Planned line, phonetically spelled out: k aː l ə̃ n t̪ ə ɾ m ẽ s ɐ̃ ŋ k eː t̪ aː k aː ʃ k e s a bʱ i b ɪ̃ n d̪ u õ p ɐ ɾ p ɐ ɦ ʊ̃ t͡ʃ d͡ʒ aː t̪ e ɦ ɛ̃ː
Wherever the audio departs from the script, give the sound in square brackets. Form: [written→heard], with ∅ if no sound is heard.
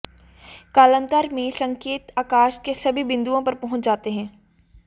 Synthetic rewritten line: k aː l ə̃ n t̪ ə ɾ m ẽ s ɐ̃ ŋ k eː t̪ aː k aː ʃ k e s [a→ɐ] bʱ i b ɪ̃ n d̪ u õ p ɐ ɾ p ɐ ɦ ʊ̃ t͡ʃ d͡ʒ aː t̪ e ɦ ɛ̃ː

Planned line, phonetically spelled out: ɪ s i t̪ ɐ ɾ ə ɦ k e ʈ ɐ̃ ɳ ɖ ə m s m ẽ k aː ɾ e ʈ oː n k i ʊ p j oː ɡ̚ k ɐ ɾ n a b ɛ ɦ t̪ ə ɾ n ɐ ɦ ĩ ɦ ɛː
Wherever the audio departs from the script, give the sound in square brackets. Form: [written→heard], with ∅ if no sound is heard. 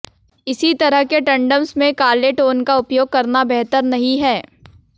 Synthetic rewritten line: ɪ s i t̪ ɐ ɾ ə ɦ k e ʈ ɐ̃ ɳ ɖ ə m s m ẽ k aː [ɾ→l] e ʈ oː n k [i→a] ʊ p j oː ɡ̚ k ɐ ɾ n a b ɛ ɦ t̪ ə ɾ n ɐ ɦ ĩ ɦ ɛː

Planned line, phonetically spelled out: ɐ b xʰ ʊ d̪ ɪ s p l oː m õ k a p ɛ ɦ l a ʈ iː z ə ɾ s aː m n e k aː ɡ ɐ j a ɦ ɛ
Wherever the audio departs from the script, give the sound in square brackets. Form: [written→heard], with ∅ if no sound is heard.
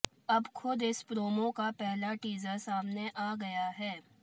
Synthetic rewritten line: ɐ b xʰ ʊ d̪ ɪ s p [l→ɾ] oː m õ k a p ɛ ɦ l a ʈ iː z ə ɾ s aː m n e [k→ʔ] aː ɡ ɐ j a ɦ [ɛ→ɛː]

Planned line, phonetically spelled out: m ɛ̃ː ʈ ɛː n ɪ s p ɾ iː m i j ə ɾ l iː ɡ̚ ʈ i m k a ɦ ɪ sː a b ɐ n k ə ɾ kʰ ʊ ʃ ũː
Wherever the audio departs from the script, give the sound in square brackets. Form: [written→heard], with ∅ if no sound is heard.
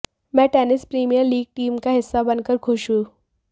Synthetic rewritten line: m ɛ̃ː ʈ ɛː n ɪ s p ɾ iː m i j ə ɾ l iː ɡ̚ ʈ [i→iː] m k a ɦ ɪ sː a b ɐ n k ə ɾ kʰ ʊ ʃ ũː

